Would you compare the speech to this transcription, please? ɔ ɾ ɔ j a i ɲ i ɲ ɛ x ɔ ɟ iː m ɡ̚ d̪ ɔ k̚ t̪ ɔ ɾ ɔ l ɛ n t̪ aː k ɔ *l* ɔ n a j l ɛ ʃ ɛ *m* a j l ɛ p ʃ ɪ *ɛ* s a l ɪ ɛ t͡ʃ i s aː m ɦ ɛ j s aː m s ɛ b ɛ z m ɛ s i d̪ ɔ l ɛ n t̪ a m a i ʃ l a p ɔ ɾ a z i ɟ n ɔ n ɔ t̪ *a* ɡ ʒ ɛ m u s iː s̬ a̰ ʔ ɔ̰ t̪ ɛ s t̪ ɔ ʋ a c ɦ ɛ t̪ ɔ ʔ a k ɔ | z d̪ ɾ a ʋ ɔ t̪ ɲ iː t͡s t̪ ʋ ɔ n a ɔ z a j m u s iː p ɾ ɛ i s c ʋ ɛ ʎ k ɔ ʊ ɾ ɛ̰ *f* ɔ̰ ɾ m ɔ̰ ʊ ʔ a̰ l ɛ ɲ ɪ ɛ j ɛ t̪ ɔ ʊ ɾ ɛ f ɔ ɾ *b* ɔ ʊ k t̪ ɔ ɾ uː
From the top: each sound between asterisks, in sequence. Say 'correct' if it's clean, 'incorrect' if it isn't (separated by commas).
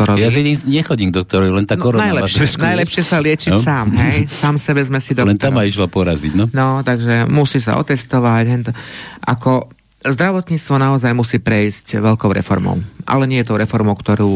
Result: incorrect, incorrect, correct, correct, correct, incorrect